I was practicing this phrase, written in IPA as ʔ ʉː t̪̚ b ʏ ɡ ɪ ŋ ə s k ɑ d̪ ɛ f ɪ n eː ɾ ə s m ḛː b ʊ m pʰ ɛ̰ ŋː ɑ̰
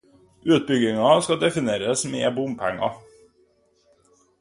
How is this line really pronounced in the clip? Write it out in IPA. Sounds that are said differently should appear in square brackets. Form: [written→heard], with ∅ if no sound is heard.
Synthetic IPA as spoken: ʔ ʉː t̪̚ b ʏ ɡ ɪ ŋ [ə→ɑ] s k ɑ d̪ ɛ f ɪ n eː ɾ ə s m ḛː b ʊ m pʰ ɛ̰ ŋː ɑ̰